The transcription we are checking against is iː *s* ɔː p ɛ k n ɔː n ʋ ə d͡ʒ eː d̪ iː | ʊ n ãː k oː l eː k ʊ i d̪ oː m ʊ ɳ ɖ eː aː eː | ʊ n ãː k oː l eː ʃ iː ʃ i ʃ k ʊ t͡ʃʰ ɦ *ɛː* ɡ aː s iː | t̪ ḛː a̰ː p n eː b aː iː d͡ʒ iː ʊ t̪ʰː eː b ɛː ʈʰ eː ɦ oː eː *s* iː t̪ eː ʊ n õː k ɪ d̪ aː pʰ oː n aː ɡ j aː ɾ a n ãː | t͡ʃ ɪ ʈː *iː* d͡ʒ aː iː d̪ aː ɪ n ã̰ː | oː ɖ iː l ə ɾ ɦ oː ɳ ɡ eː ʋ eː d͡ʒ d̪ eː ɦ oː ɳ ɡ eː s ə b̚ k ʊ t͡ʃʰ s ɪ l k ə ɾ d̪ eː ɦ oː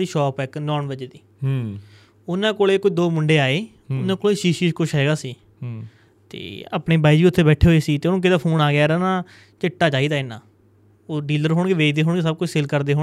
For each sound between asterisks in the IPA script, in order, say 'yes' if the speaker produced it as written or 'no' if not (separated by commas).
no, yes, yes, no